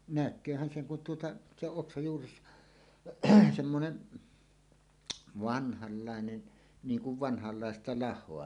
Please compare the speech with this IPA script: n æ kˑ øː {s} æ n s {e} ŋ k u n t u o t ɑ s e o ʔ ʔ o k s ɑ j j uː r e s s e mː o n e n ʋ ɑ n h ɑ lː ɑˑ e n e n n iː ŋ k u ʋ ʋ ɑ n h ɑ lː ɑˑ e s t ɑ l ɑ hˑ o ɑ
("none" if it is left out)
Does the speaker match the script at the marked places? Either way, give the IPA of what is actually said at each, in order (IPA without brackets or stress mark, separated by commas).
h, e